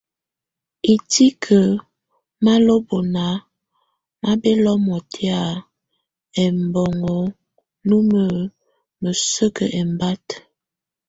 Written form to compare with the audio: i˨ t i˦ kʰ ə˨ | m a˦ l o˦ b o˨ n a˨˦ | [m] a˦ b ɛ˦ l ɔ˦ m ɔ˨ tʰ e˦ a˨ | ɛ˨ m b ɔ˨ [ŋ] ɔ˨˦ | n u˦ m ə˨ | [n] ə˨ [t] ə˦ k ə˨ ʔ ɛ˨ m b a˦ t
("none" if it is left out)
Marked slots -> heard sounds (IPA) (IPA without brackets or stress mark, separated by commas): m, ŋ, m, s